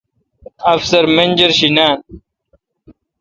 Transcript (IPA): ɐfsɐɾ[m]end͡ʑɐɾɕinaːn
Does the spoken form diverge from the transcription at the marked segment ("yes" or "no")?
no